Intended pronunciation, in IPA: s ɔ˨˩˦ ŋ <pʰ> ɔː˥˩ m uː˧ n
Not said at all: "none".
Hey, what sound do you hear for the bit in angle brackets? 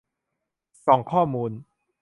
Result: kʰ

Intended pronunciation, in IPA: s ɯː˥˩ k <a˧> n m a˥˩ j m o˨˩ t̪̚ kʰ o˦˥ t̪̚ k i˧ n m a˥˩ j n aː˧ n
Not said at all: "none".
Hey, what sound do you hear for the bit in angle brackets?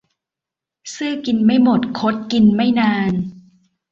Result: i˧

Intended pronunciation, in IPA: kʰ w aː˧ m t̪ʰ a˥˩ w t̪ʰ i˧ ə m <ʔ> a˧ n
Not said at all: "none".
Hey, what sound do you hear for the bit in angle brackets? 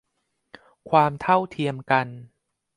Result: k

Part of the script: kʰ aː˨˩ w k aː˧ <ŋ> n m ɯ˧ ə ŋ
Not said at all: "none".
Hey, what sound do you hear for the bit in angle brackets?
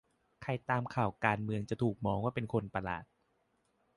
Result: none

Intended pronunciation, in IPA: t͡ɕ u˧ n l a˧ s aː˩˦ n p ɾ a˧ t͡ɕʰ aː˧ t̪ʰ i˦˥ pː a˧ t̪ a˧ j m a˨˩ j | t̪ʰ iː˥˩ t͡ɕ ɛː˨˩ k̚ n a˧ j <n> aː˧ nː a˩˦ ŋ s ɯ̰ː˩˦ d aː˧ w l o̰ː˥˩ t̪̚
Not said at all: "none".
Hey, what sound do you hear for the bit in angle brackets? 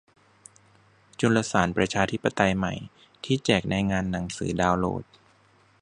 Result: ŋ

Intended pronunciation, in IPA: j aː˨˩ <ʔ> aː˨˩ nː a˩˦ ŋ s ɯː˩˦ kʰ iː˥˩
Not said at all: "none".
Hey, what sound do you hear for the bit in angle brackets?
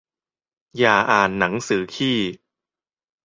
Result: ʔ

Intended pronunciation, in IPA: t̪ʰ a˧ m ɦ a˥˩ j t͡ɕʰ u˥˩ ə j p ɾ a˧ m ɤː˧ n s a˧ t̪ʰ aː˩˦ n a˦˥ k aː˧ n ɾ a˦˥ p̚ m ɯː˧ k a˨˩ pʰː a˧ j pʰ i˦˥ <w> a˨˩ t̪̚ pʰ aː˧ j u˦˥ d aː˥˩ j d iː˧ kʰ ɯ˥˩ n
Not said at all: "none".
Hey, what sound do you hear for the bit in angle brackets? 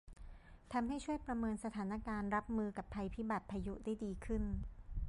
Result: b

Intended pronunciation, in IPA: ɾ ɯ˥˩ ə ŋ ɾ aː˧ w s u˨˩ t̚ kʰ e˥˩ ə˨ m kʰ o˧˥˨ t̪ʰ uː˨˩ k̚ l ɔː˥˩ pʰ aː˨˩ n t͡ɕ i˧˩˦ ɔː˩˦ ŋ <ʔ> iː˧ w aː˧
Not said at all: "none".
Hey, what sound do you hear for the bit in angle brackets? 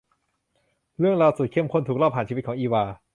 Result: ʔ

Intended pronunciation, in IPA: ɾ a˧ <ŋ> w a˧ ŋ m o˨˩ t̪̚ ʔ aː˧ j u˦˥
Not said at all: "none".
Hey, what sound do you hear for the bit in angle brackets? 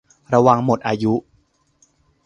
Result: none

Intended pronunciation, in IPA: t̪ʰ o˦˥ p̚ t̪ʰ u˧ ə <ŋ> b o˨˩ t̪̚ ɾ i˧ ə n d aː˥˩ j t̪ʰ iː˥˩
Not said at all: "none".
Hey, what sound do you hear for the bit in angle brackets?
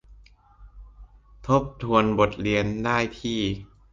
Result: n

